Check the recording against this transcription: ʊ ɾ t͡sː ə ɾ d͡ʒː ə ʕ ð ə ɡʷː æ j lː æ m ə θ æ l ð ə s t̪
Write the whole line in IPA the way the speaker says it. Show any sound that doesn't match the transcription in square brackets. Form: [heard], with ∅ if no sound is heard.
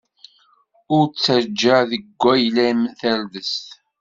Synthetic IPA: ʊ ɾ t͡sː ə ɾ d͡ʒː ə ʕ ð ə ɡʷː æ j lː æ m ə θ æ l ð ə s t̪